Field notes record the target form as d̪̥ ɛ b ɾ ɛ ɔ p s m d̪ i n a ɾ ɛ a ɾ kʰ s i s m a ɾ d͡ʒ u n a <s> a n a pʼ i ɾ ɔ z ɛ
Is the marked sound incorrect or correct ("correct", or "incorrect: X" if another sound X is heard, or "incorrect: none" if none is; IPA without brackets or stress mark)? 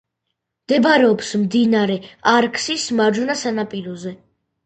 correct